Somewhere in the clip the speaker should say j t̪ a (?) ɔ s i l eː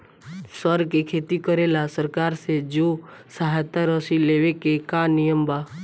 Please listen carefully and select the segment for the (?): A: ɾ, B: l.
A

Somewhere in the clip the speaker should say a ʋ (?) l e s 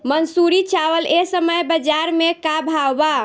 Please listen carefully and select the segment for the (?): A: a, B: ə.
B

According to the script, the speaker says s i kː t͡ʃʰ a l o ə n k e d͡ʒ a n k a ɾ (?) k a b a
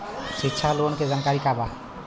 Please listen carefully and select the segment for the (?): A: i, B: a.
A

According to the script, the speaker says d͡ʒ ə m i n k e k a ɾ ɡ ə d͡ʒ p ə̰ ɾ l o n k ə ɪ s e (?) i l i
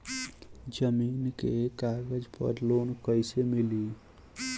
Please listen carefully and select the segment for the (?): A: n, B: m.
B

